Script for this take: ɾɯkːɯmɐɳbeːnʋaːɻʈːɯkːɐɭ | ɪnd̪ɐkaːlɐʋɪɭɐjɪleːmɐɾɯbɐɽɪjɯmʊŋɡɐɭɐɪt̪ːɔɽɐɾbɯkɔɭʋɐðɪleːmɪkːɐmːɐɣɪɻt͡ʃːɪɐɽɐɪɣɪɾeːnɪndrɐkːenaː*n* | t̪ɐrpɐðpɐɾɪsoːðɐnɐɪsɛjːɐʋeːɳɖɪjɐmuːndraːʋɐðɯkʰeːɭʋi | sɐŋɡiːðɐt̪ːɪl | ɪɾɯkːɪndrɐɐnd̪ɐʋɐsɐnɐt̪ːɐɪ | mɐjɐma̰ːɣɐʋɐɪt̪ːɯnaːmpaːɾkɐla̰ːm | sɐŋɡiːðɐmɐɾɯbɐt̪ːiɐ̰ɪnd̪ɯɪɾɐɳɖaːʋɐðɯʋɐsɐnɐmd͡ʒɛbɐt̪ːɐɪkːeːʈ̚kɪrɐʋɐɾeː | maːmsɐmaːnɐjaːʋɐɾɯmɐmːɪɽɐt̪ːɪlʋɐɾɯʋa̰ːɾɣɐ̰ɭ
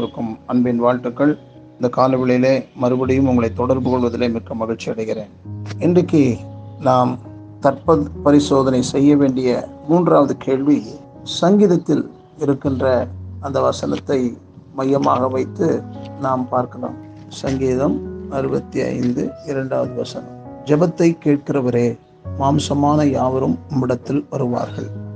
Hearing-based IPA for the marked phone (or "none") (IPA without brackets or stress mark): m